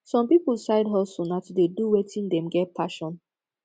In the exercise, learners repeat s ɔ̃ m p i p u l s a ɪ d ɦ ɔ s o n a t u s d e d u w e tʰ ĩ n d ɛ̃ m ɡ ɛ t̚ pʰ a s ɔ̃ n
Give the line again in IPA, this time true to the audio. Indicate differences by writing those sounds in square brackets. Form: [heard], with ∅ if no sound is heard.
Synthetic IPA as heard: s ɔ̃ m p i p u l s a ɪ d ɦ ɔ s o n a t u [∅] d e d u w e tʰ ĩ n d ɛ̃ m ɡ ɛ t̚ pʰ a [ʃ] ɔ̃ n